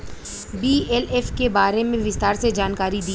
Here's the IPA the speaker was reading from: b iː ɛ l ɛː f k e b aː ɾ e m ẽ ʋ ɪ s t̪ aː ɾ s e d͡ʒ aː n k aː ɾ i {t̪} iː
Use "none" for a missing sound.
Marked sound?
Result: d̪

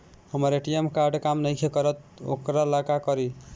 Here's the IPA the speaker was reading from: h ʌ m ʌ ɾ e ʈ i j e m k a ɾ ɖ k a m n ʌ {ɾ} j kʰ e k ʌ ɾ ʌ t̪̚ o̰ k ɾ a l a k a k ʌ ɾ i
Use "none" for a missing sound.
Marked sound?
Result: none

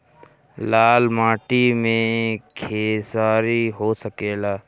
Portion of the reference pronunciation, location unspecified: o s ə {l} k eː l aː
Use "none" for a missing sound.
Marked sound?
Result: none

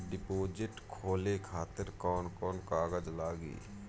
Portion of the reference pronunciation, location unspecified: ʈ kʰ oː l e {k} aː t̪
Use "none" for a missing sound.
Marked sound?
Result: kʰ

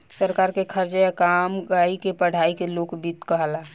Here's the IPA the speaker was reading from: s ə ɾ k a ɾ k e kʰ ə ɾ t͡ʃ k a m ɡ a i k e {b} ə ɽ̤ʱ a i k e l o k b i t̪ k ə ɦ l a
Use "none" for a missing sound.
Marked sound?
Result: p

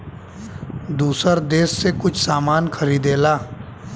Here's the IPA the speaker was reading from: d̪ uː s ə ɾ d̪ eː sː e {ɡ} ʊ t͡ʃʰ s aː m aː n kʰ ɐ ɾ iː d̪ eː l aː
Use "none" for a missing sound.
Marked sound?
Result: k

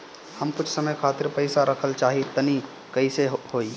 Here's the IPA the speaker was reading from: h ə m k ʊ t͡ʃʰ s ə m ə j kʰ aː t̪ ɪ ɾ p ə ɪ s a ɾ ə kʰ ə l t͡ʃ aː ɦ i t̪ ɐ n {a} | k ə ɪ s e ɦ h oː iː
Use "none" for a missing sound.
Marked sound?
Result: i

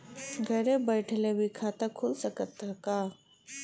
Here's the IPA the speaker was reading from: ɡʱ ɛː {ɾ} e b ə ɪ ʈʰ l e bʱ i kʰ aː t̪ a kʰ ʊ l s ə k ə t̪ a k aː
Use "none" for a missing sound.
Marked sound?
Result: ɾ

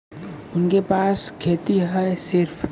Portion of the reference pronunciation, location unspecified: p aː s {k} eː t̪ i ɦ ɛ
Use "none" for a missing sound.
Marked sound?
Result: kʰ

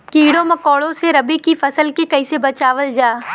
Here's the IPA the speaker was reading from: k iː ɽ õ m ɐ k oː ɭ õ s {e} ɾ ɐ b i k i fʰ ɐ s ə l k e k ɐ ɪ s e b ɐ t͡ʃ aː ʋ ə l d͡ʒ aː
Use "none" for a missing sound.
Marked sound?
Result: e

